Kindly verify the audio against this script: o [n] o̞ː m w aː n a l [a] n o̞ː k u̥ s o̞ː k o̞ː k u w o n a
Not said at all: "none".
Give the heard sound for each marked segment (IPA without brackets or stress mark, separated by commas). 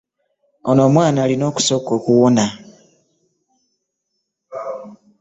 n, i